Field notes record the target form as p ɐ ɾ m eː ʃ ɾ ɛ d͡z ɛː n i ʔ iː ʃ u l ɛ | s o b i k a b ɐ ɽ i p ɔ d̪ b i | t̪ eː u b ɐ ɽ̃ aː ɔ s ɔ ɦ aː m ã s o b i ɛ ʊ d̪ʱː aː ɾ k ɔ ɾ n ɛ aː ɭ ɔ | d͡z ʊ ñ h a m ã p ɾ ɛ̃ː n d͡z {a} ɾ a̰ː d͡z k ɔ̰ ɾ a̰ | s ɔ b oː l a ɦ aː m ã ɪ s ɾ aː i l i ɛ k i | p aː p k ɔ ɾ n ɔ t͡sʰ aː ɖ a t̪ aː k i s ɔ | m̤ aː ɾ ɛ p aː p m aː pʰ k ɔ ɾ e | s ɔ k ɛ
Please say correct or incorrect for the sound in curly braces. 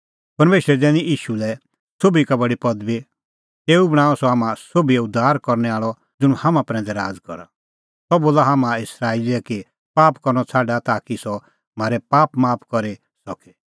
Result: incorrect